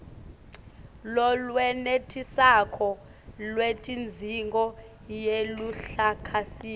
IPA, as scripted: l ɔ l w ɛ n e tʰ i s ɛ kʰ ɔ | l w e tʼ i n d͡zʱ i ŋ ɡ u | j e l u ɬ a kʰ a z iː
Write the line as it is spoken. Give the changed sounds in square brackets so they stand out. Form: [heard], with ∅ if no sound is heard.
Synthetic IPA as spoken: l ɔ l w ɛ n e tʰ i s [a] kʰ ɔ | l w e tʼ i n d͡zʱ i ŋ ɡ [ɔ] | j e l u ɬ a kʰ a [s] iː

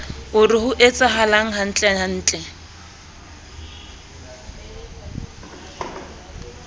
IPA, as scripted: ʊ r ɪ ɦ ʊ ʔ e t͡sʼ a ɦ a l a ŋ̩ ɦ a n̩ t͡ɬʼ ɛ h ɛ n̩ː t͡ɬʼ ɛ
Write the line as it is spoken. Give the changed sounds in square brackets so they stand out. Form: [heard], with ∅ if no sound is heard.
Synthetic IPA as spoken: ʊ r ɪ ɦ ʊ ʔ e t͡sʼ a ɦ a l a ŋ̩ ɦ a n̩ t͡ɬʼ ɛ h [a] n̩ː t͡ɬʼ ɛ

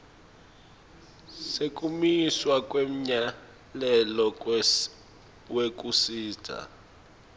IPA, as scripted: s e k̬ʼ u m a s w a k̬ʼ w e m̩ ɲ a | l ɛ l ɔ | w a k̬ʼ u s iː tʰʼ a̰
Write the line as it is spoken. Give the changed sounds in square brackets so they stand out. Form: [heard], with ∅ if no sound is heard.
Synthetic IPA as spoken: s e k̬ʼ u m [i] s w a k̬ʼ w e m̩ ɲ a | l ɛ l ɔ | w [e] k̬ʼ u s iː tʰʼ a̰

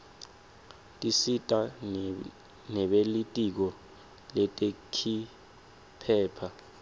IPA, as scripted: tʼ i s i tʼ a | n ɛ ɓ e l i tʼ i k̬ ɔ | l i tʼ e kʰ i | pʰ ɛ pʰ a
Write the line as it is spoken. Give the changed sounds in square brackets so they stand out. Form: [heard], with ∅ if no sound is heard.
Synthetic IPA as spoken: tʼ i s i tʼ a | n ɛ ɓ e l i tʼ i k̬ ɔ | l [ɛ] tʼ e kʰ i | pʰ [ɛː] pʰ a

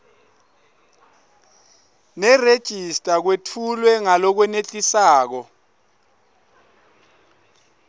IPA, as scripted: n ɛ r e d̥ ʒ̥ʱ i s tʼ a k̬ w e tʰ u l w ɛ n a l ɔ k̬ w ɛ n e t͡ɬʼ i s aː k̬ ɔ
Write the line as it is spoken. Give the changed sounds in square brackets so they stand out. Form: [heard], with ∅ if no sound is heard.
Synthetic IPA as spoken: n ɛ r e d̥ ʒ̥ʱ i s tʼ a k̬ w e tʰ u l w ɛ [ŋ] a l ɔ k̬ w ɛ n e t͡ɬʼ i s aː k̬ ɔ

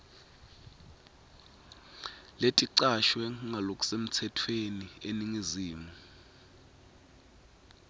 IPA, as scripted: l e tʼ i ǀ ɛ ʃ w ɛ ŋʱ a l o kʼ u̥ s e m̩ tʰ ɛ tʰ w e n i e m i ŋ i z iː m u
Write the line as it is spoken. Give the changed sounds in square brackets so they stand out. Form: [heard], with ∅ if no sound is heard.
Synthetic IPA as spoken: l e tʼ i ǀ [a] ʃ w ɛ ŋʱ a l o kʼ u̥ s e m̩ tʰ ɛ tʰ w e n i e [n] i ŋ i z iː m u

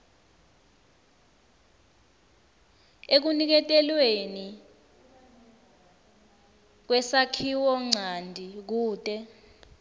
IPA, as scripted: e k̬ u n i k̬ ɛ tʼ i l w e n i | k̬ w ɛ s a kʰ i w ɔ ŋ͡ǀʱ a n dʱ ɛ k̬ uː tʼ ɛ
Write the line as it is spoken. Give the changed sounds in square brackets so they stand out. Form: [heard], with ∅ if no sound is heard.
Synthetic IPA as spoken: e k̬ u n i k̬ ɛ tʼ [ɛ] l w e n i | k̬ w ɛ s a kʰ i w ɔ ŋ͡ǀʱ a n dʱ [i] k̬ uː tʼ ɛ

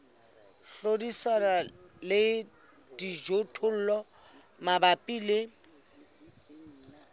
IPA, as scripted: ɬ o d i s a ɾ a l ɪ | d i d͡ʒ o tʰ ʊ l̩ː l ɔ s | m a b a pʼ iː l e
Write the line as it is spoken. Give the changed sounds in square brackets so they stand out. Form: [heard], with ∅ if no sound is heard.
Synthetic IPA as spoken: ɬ o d i s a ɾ a l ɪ | d i d͡ʒ o tʰ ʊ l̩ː l ɔ [∅] | m a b a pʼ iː l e

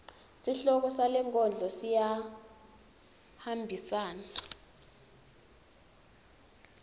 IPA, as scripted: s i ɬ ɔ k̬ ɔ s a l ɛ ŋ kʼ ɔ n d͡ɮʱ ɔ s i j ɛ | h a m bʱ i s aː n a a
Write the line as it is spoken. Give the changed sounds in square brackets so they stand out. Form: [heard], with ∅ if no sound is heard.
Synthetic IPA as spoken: s i ɬ ɔ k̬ ɔ s a l ɛ ŋ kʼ ɔ n d͡ɮʱ ɔ s i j [a] | h a m bʱ i s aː n a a

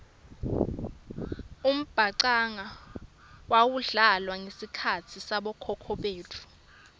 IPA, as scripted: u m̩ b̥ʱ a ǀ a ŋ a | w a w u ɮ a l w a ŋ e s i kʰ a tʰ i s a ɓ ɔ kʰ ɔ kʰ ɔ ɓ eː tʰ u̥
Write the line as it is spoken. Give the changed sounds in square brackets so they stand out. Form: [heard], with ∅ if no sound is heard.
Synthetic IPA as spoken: u m̩ b̥ʱ a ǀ a ŋ a | w a w u ɮ a l w a ŋ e s i kʰ a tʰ i s a ɓ ɔ kʰ ɔ kʰ ɔ ɓ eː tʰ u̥

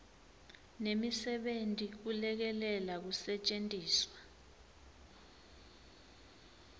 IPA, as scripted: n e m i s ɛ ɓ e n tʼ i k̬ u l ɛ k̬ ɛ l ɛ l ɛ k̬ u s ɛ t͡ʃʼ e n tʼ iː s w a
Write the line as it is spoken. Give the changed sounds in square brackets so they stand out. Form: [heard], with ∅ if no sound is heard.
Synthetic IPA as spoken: n e m i s ɛ ɓ e n tʼ i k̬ u l ɛ k̬ ɛ l ɛ l [a] k̬ u s ɛ t͡ʃʼ e n tʼ iː s w a

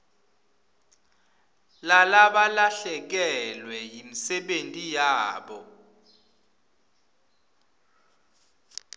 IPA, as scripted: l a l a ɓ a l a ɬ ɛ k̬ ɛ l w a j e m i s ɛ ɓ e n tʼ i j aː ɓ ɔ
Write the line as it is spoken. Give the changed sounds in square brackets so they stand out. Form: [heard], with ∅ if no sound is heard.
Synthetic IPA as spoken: l a l a ɓ a l a ɬ ɛ k̬ ɛ l w [ɛ] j [i] m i s ɛ ɓ e n tʼ i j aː ɓ ɔ

